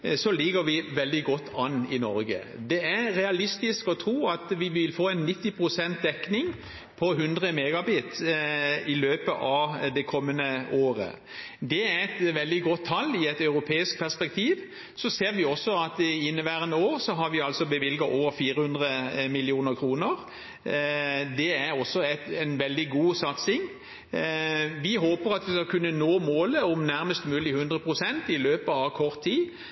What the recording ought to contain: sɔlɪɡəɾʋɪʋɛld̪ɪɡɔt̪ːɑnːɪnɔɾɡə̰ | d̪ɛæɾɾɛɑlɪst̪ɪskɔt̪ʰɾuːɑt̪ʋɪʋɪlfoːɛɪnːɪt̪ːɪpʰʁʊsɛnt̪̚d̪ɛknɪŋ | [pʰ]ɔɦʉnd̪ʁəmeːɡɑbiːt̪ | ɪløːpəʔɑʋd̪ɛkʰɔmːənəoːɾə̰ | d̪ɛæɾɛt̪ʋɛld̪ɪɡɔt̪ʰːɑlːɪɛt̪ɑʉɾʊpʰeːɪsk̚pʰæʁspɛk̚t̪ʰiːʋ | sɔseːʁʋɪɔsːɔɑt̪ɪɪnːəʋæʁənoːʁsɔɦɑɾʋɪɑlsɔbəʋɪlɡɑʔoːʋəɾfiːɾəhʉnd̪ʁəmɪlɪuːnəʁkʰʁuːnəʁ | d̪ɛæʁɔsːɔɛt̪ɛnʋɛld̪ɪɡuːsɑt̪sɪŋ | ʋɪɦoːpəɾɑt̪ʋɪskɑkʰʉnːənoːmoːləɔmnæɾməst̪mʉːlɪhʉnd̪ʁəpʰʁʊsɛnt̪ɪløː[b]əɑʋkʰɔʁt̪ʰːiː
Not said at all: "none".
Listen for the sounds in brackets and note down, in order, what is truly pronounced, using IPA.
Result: pʰ, p

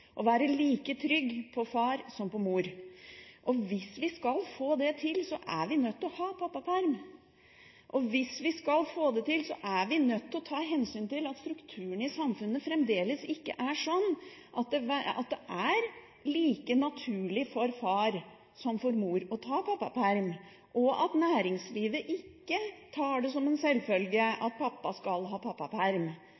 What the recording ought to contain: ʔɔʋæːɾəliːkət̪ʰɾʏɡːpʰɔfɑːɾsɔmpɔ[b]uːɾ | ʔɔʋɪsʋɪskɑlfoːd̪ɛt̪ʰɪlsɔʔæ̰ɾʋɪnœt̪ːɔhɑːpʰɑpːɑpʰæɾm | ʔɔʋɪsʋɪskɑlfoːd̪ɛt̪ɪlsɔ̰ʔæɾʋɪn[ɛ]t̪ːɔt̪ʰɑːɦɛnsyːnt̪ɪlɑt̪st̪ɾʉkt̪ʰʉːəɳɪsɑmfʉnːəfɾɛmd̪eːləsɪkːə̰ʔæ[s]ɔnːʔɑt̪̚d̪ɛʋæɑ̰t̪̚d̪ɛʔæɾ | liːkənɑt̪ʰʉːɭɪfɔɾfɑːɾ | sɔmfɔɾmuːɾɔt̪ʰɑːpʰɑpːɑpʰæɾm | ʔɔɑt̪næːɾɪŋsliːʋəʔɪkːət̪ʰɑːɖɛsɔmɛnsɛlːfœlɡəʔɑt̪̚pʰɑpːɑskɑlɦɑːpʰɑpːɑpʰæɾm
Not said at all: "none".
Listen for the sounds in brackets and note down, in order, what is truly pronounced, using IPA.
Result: m, œ, ʂ

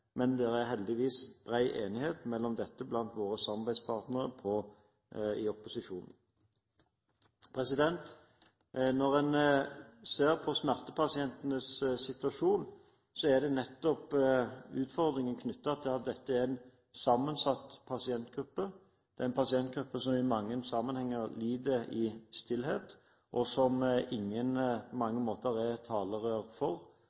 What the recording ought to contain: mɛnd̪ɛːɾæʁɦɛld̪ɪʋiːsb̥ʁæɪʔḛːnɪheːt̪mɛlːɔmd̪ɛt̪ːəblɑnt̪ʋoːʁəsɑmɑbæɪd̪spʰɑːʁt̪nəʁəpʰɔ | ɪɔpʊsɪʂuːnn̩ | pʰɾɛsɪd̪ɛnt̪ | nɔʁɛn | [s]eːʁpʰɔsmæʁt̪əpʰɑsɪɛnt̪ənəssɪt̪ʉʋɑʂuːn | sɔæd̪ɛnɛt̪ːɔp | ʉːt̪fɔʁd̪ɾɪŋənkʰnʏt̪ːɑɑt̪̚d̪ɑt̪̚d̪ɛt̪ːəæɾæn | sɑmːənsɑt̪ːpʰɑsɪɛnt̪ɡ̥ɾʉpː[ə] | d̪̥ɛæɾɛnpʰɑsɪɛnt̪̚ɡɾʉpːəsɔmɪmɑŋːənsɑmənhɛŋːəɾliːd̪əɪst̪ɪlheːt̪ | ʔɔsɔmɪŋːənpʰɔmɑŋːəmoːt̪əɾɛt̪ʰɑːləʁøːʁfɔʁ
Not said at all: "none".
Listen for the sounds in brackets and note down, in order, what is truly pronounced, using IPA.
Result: s, ə

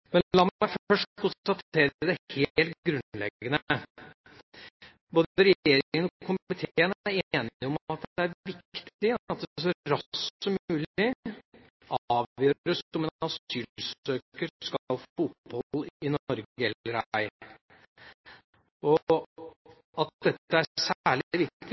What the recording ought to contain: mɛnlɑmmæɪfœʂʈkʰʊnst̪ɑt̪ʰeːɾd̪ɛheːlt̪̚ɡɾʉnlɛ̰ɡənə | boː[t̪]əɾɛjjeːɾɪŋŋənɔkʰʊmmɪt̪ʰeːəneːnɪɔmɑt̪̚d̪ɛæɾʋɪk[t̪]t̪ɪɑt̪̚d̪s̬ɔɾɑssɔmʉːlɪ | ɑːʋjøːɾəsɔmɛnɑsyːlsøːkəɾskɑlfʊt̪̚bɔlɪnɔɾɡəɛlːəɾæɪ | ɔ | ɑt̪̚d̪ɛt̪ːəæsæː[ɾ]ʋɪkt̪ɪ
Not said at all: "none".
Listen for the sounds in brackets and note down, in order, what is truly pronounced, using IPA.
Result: d̪, t̪, ɭ

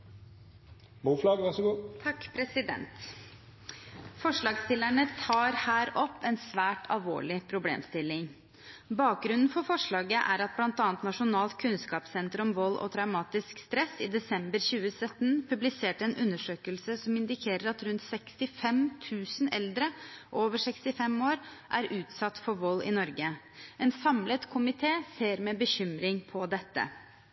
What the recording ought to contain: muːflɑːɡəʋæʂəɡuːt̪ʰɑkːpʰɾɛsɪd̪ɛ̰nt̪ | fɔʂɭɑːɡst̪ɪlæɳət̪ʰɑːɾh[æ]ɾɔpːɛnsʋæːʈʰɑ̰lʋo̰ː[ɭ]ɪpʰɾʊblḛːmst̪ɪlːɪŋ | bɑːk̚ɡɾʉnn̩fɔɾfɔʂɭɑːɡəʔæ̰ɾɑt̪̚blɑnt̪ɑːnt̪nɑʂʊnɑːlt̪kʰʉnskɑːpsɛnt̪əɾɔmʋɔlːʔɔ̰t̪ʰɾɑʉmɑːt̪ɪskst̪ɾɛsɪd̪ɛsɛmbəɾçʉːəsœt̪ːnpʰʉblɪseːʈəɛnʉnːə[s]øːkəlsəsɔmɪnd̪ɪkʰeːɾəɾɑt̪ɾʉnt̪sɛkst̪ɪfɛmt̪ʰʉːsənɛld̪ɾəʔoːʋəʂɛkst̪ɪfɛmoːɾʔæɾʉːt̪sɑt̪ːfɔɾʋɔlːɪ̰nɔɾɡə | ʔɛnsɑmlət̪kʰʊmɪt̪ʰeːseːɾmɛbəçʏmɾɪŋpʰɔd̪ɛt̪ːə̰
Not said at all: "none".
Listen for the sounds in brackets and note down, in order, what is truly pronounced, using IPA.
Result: æː, ɭ, ʂ

